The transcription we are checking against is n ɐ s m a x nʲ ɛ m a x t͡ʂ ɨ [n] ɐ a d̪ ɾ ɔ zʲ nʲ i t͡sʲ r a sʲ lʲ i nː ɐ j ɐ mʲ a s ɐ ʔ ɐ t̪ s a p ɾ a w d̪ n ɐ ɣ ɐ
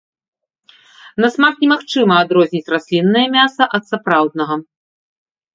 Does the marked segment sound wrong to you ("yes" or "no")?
yes